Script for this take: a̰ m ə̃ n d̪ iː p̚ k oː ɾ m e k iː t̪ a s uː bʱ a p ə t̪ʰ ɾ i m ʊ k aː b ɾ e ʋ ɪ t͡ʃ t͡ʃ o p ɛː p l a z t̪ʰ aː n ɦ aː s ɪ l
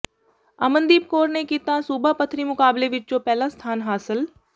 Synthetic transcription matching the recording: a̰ m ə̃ n d̪ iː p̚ k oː ɾ n e k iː t̪ a s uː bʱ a p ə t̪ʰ ɾ i m ʊ k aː b l e ʋ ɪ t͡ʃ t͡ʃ o p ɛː l a s t̪ʰ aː n ɦ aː s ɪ l

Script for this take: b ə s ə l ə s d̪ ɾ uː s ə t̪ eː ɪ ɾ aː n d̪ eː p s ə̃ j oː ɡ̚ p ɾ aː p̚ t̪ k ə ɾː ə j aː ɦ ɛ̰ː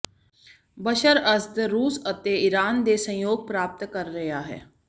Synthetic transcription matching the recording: b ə ʃ ə ɾ ə s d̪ ɾ uː s ə t̪ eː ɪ ɾ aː n d̪ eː s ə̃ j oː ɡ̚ p ɾ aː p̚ t̪ k ə ɾː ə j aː ɦ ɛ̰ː

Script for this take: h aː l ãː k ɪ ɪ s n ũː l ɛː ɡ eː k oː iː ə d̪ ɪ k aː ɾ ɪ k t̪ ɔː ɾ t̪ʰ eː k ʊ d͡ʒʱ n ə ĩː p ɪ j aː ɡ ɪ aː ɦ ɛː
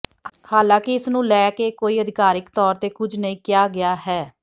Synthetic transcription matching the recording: h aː l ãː k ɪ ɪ s n ũː l ɛː k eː k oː iː ə d̪ ɪ k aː ɾ ɪ k t̪ ɔː ɾ t̪ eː k ʊ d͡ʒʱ n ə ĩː k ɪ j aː ɡ ɪ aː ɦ ɛː

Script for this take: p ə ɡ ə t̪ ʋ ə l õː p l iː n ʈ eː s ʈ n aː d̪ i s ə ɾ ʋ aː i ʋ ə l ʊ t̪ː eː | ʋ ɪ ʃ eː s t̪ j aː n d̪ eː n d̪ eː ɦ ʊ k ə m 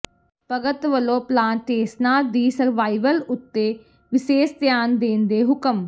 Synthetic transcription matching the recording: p ə ɡ ə t̪ ʋ ə l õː p l aː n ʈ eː s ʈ n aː d̪ iː s ə ɾ ʋ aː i ʋ ə l ʊ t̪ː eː | ʋ ɪ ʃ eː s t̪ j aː n d̪ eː n d̪ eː ɦ ʊ k ə m

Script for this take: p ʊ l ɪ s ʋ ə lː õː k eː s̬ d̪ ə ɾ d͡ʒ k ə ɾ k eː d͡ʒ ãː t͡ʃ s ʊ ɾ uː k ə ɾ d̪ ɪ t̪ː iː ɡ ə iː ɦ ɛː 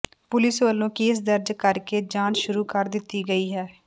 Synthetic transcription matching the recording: p ʊ l ɪ s ʋ ə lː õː k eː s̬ d̪ ə ɾ d͡ʒ k ə ɾ k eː d͡ʒ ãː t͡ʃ ʃ ʊ ɾ uː k ə ɾ d̪ ɪ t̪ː iː ɡ ə iː ɦ ɛː

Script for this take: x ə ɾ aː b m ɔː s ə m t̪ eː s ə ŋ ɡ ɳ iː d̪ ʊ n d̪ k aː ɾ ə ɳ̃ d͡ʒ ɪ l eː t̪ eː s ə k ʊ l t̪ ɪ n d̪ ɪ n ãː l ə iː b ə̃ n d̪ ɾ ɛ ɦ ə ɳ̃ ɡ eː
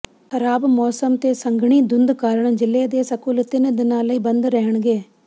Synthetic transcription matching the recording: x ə ɾ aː b m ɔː s ə m t̪ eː s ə ŋ ɡ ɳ iː d̪ ʊ n d̪ k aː ɾ ə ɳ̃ d͡ʒ ɪ l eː d̪ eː s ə k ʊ l t̪ ɪ n d̪ ɪ n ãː l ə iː b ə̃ n d̪ ɾ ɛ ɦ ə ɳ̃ ɡ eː

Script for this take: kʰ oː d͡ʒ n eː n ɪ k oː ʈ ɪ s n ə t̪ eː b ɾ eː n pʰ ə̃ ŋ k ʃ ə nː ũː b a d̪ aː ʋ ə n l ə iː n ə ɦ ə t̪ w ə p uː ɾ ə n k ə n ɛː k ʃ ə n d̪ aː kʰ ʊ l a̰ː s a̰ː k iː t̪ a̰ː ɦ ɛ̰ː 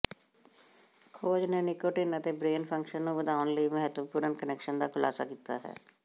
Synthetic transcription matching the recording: kʰ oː d͡ʒ n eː n ɪ k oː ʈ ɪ n ə t̪ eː b ɾ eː n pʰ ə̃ ŋ k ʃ ə nː ũː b ə d̪ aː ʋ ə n l ə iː m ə ɦ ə t̪ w ə p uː ɾ ə n k ə n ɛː k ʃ ə n d̪ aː kʰ ʊ l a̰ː s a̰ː k iː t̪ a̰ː ɦ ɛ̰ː

